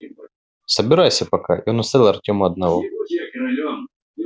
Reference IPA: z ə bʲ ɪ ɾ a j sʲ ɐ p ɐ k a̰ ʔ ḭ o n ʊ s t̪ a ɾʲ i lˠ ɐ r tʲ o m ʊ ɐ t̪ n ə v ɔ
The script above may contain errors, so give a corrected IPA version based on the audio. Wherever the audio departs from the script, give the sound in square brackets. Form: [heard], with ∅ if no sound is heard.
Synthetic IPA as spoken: [s] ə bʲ ɪ ɾ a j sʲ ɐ p ɐ k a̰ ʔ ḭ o n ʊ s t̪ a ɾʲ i lˠ ɐ r tʲ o m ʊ ɐ [d̪] n [ɐ] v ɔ